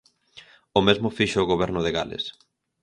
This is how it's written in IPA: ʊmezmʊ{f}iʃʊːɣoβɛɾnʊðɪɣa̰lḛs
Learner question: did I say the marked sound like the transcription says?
yes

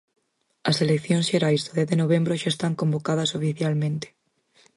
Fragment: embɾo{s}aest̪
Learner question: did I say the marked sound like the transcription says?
no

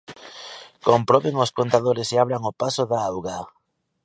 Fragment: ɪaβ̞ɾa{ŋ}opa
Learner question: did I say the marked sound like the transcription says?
yes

